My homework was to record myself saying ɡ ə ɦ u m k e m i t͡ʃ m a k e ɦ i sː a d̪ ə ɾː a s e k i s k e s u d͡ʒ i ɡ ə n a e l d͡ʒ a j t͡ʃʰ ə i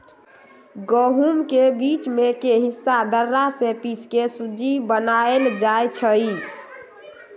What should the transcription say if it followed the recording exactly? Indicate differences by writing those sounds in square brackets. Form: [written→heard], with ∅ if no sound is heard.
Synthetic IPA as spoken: ɡ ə ɦ u m k e [m→b] i t͡ʃ m [a→e] k e ɦ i sː a d̪ ə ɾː a s e [k→p] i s k e s u d͡ʒ i [ɡ→b] ə n a e l d͡ʒ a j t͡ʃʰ ə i